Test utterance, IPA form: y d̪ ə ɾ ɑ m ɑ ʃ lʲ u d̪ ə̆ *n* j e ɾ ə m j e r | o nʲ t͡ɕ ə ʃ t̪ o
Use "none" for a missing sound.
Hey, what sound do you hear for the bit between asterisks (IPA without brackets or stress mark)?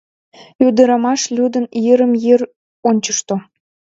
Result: n